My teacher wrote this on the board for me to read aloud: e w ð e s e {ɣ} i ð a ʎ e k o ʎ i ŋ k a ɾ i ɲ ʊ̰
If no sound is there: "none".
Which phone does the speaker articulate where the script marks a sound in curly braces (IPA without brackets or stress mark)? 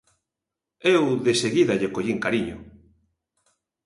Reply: ɣ